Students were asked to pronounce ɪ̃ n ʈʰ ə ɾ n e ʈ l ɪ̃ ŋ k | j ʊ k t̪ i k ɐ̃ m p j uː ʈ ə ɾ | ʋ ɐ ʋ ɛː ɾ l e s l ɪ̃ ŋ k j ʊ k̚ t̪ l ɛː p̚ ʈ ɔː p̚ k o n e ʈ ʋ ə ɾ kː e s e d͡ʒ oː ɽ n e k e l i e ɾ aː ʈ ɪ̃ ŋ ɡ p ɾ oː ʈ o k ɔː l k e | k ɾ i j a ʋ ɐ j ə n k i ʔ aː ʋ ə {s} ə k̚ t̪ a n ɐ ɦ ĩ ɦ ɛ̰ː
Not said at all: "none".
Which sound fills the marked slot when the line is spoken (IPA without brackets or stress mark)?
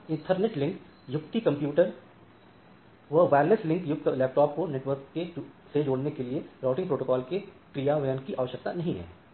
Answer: ʃ